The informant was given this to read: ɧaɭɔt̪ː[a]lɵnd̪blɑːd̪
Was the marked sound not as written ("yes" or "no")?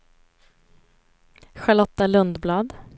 no